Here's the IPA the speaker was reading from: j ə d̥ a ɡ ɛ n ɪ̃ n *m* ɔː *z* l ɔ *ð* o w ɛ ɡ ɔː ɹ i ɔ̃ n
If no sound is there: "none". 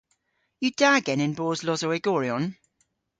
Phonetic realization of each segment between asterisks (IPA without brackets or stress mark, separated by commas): b, z, z